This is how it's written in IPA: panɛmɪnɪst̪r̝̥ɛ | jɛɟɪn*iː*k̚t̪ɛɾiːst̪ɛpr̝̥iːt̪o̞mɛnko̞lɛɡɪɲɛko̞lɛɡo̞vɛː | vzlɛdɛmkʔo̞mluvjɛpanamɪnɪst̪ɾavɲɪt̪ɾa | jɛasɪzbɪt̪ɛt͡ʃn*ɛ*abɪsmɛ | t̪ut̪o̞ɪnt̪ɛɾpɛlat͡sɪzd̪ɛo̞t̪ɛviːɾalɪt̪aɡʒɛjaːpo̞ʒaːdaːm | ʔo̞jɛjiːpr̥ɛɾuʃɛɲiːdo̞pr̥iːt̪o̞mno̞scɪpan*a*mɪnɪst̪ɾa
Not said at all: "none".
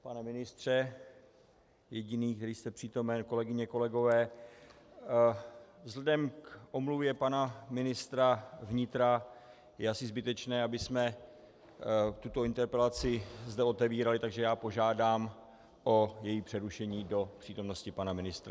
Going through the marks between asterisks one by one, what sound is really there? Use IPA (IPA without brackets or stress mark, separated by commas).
iː, ɛː, a